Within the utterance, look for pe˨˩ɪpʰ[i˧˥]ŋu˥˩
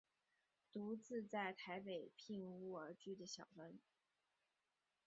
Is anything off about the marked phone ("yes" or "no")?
yes